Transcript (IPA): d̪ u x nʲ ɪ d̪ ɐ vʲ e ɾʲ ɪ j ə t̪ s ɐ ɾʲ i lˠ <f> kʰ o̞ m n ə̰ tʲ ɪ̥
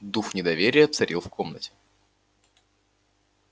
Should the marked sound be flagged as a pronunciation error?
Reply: no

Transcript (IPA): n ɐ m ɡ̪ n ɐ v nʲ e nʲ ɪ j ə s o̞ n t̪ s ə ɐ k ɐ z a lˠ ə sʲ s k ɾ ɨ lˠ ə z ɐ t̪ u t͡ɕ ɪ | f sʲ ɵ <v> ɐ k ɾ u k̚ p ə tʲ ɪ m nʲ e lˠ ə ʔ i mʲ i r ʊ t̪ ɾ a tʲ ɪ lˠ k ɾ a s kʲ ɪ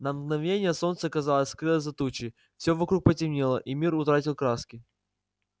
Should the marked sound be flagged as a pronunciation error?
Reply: no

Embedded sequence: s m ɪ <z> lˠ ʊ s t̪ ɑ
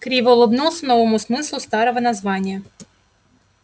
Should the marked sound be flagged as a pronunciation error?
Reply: yes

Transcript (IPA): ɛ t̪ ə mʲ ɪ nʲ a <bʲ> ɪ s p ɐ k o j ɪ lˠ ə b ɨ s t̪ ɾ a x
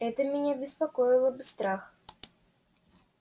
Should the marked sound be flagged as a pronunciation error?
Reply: no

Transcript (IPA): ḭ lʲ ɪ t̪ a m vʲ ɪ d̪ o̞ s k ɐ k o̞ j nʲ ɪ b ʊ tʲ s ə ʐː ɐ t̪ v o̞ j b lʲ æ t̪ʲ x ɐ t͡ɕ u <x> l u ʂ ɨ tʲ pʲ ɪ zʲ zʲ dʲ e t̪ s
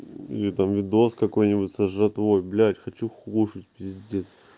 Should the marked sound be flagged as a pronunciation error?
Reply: no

